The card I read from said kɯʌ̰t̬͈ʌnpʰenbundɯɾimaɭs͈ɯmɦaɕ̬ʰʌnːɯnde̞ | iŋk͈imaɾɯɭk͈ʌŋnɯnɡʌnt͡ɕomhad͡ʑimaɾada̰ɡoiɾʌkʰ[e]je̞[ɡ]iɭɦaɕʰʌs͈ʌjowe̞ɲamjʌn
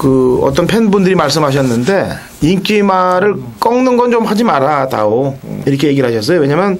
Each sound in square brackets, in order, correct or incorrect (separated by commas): correct, correct